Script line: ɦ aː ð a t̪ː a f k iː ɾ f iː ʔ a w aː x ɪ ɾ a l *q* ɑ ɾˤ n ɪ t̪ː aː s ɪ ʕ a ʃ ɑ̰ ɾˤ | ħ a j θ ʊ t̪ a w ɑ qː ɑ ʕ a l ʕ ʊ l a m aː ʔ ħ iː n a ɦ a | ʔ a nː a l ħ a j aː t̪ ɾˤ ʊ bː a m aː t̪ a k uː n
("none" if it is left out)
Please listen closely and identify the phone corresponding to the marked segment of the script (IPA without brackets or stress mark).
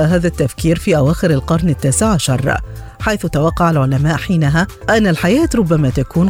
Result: q